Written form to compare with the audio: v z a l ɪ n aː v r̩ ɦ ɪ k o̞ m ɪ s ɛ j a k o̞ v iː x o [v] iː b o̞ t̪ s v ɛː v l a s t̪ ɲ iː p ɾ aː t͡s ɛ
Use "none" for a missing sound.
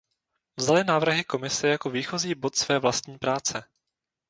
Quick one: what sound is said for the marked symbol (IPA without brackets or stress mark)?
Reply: z